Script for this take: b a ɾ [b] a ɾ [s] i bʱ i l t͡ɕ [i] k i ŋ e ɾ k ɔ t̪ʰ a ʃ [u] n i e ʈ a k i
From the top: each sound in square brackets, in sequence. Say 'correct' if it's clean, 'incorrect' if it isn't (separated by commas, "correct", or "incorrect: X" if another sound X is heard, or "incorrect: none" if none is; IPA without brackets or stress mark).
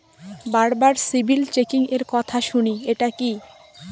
correct, correct, incorrect: e, correct